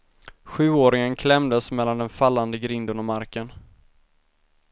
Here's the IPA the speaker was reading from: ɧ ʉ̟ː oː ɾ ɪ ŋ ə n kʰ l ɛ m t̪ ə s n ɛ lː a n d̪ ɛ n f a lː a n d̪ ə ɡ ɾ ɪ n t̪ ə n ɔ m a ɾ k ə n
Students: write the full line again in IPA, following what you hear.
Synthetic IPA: ɧ ʉ̟ː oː ɾ ɪ ŋ ə n kʰ l ɛ m d̪ ə s m ɛ lː a n d̪ ɛ n f a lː a n d̪ ə ɡ ɾ ɪ n d̪ ə n ɔ m a ɾ k ə n